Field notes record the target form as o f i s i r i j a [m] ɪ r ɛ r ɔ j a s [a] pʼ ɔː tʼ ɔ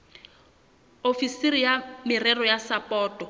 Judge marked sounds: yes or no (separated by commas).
yes, yes